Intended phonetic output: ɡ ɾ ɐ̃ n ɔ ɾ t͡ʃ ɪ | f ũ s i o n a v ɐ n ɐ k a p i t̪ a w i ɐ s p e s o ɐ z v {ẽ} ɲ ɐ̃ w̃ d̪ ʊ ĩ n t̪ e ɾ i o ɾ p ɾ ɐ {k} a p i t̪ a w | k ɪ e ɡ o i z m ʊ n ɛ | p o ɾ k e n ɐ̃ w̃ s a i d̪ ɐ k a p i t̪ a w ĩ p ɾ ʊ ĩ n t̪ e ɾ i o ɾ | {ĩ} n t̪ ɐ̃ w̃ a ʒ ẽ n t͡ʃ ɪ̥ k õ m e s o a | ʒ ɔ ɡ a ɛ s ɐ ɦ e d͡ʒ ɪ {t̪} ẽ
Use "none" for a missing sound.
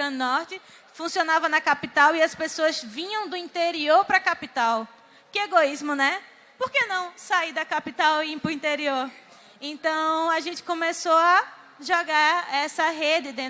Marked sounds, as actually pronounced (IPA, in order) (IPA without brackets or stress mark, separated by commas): ĩ, k, ẽ, d̪